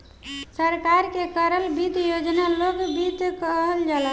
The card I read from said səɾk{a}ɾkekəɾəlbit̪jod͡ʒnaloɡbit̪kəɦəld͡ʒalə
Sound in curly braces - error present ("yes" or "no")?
no